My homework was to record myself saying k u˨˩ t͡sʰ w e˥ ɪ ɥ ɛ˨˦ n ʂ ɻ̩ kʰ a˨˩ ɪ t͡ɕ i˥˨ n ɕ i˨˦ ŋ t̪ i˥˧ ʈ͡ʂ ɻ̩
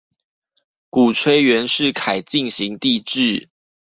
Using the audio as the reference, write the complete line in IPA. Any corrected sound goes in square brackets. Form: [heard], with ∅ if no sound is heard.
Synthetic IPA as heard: k u˨˩ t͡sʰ w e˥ ɪ ɥ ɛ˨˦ n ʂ ɻ̩ kʰ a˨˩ ɪ t͡ɕ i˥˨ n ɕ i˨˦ ŋ t̪ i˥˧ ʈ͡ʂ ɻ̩